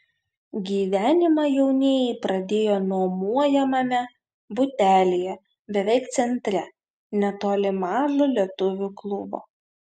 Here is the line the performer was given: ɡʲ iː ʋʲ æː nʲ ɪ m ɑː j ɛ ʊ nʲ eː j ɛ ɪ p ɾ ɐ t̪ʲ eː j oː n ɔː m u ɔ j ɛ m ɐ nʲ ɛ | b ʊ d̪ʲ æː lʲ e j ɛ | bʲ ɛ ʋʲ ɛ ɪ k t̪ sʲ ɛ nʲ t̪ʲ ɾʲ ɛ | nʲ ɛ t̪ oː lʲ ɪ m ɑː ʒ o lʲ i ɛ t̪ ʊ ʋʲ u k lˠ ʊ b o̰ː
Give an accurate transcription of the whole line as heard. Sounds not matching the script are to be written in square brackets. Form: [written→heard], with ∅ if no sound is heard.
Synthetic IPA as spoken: ɡʲ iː ʋʲ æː nʲ ɪ m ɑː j ɛ ʊ nʲ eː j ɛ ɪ p ɾ ɐ [t̪ʲ→d̪ʲ] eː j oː n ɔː m u ɔ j ɛ m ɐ [nʲ→mʲ] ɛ | b ʊ [d̪ʲ→t̪ʲ] æː lʲ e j ɛ | bʲ ɛ ʋʲ ɛ ɪ k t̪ sʲ ɛ nʲ t̪ʲ ɾʲ ɛ | nʲ ɛ t̪ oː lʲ ɪ m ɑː ʒ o lʲ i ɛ t̪ ʊ ʋʲ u k lˠ ʊ b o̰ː